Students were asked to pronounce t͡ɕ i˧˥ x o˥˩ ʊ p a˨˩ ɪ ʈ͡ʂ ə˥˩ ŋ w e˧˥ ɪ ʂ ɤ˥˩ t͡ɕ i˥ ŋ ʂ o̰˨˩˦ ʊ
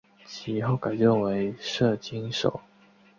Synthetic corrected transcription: t͡ɕʰ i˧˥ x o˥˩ ʊ k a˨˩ ɪ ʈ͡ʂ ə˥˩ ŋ w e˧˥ ɪ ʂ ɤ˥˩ t͡ɕ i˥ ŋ ʂ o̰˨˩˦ ʊ

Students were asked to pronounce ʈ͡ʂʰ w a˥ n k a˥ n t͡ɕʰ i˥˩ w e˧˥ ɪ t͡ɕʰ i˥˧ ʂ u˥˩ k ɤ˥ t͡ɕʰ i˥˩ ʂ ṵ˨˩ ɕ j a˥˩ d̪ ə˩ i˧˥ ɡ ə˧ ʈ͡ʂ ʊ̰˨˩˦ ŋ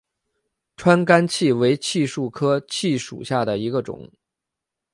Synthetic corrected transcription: ʈ͡ʂʰ w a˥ n k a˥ n t͡ɕʰ i˥˩ w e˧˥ ɪ t͡ɕʰ i˥˧ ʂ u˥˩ kʰ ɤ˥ t͡ɕʰ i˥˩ ʂ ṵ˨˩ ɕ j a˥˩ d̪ ə˩ i˧˥ ɡ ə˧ ʈ͡ʂ ʊ̰˨˩˦ ŋ

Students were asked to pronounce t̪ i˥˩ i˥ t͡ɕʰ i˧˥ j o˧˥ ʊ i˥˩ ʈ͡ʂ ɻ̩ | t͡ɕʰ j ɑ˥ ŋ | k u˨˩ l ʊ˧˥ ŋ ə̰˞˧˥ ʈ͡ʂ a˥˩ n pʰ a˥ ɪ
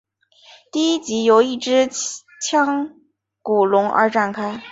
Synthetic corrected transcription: t̪ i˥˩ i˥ t͡ɕ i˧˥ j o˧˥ ʊ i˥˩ ʈ͡ʂ ɻ̩ | t͡ɕʰ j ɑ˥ ŋ | k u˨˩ l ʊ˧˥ ŋ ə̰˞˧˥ ʈ͡ʂ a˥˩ n kʰ a˥ ɪ

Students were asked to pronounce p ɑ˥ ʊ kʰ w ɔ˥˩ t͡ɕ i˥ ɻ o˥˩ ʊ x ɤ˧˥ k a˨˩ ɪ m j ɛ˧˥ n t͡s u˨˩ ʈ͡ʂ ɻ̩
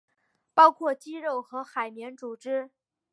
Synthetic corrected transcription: p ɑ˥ ʊ kʰ w ɔ˥˩ t͡ɕ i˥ ɻ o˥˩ ʊ x ɤ˧˥ x a˨˩ ɪ m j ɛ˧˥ n t͡s u˨˩ ʈ͡ʂ ɻ̩

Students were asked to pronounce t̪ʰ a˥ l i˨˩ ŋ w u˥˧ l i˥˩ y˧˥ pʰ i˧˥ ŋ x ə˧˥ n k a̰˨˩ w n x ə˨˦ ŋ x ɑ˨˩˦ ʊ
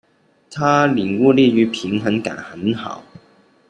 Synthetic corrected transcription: t̪ʰ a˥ l i˨˩ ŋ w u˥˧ l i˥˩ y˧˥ pʰ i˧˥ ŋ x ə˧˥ n k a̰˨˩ n x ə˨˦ n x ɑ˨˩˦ ʊ

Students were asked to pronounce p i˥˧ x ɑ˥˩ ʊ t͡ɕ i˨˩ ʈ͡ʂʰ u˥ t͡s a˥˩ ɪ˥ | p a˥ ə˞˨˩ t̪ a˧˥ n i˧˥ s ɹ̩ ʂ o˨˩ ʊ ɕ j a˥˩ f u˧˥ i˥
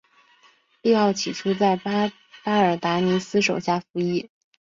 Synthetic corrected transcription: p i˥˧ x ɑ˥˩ ʊ t͡ɕʰ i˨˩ ʈ͡ʂʰ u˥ t͡s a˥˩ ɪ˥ | p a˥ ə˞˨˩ t̪ a˧˥ n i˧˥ s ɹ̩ ʂ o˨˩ ʊ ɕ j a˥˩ f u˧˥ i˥

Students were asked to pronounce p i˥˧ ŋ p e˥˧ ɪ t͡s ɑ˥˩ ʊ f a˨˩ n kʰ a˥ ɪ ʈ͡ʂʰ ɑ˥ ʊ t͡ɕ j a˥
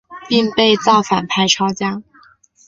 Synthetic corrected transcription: p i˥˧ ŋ p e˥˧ ɪ t͡s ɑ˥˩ ʊ f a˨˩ n pʰ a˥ ɪ ʈ͡ʂʰ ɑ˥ ʊ t͡ɕ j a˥

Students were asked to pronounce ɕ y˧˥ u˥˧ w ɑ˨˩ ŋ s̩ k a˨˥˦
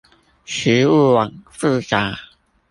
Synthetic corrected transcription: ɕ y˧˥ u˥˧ w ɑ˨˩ ŋ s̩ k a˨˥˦

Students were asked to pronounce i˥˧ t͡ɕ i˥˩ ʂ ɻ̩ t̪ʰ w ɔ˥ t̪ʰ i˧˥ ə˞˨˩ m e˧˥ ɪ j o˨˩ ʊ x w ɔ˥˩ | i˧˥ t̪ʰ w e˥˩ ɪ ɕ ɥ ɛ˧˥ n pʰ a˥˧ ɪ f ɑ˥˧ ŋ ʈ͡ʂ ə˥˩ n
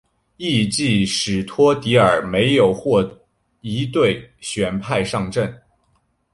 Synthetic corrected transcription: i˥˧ t͡ɕ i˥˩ ʂ ɻ̩ t̪ʰ w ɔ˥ t̪ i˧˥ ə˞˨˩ m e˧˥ ɪ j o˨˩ ʊ x w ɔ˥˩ | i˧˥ t̪ w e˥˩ ɪ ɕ ɥ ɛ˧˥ n pʰ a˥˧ ɪ ʂ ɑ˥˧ ŋ ʈ͡ʂ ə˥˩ n

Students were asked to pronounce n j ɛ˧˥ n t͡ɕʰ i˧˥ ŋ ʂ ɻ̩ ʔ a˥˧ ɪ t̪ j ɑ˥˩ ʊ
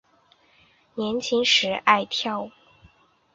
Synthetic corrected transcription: n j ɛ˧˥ n t͡ɕʰ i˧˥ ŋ ʂ ɻ̩ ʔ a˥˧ ɪ t̪ʰ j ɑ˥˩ ʊ

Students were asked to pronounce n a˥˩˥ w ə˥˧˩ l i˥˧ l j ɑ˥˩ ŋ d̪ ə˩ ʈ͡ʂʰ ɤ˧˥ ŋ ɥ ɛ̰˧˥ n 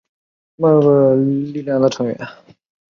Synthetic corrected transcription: m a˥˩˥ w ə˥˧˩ l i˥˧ l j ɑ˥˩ ŋ d̪ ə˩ ʈ͡ʂʰ ɤ˧˥ ŋ ɥ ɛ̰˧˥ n

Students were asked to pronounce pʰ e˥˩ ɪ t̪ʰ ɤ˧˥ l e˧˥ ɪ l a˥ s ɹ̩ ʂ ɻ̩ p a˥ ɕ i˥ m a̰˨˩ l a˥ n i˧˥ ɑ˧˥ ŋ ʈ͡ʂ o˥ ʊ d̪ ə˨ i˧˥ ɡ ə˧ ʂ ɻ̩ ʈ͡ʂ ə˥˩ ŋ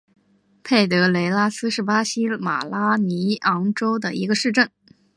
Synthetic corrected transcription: pʰ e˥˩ ɪ t̪ ɤ˧˥ l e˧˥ ɪ l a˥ s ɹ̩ ʂ ɻ̩ p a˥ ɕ i˥ m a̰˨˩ l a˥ n i˧˥ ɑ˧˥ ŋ ʈ͡ʂ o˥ ʊ d̪ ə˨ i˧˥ ɡ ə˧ ʂ ɻ̩ ʈ͡ʂ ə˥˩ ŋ

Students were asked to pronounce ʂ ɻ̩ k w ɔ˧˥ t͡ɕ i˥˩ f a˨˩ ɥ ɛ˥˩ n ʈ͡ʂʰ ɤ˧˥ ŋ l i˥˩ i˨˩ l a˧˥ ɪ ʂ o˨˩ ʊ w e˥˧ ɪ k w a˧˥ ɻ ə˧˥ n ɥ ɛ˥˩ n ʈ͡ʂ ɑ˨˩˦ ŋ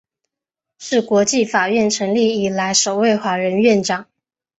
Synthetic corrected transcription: ʂ ɻ̩ k w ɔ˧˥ t͡ɕ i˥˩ f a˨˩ ɥ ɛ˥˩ n ʈ͡ʂʰ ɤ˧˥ ŋ l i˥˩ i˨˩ l a˧˥ ɪ ʂ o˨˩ ʊ w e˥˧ ɪ x w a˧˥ ɻ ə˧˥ n ɥ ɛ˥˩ n ʈ͡ʂ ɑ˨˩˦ ŋ

